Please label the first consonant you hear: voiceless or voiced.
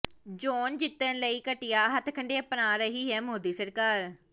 voiced